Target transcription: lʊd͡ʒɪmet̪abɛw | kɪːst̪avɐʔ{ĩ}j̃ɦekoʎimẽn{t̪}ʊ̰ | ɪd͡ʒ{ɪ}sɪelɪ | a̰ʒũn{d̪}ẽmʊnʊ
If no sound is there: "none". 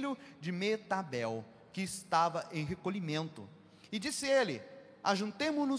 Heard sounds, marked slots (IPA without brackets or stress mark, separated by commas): ẽ, t̪, i, t̪